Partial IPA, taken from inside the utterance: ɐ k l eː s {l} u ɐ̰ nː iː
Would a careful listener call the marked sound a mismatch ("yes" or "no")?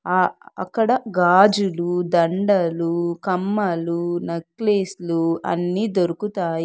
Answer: no